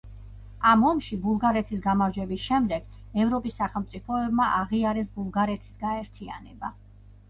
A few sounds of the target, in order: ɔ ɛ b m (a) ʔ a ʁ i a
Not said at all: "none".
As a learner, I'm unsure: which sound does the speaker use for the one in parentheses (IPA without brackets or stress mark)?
a